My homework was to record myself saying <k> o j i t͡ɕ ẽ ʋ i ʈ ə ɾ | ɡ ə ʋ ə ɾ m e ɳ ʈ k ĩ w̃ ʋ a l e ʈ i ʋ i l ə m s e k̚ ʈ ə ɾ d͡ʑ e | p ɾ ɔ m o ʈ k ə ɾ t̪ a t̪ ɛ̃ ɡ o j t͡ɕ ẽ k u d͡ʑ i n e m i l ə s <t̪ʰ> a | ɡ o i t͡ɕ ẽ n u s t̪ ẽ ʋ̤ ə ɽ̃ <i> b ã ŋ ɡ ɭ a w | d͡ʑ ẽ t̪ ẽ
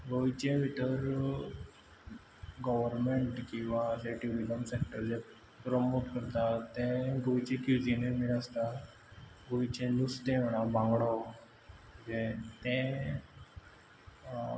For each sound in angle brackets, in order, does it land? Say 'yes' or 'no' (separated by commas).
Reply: no, no, no